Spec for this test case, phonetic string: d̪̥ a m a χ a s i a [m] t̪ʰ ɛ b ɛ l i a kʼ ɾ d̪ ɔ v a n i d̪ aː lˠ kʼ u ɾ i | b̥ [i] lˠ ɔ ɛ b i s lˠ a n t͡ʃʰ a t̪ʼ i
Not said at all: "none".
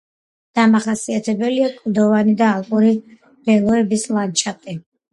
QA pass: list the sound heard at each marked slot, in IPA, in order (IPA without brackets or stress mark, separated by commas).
none, ɛ